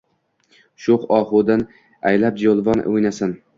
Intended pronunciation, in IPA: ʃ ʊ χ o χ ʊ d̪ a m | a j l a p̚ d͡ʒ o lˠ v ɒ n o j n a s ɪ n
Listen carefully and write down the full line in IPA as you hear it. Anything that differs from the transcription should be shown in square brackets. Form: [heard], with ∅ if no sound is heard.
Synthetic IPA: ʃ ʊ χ [ɒ] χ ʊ d̪ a [n] | a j l a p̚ d͡ʒ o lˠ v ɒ n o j n a s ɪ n